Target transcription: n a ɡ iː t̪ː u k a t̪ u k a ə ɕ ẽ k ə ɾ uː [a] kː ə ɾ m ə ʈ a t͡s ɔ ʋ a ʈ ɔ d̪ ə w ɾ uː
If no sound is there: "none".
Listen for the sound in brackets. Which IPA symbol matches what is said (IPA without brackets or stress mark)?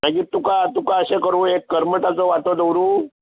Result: e